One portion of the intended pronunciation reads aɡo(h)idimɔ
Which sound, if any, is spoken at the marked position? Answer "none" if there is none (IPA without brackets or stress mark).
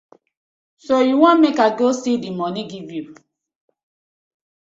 s